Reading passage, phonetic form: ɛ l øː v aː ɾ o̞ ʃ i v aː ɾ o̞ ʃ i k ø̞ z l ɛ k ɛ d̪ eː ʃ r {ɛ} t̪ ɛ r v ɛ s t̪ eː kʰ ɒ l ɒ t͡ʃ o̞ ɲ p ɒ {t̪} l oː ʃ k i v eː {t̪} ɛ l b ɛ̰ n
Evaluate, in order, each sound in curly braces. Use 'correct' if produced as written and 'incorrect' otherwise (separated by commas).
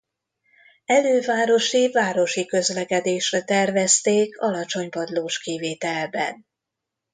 correct, incorrect, correct